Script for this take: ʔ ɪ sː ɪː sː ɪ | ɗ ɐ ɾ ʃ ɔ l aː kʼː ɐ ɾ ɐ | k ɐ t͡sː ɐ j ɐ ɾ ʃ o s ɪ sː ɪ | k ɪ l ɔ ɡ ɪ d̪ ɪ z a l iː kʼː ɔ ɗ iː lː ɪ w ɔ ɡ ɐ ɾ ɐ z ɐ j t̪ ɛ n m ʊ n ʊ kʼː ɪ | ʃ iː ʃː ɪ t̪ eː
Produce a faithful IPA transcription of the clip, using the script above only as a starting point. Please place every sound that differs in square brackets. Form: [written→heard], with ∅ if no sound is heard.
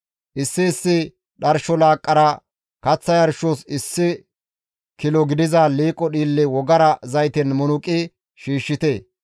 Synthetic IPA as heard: ʔ ɪ sː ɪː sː ɪ | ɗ ɐ ɾ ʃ ɔ l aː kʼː ɐ ɾ ɐ | k ɐ t͡sː ɐ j ɐ ɾ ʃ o s ɪ sː ɪ | k ɪ l ɔ ɡ ɪ d̪ ɪ z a l iː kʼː ɔ ɗ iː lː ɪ w ɔ ɡ ɐ ɾ ɐ z ɐ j t̪ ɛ n m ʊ n ʊ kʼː ɪ | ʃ iː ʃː ɪ t̪ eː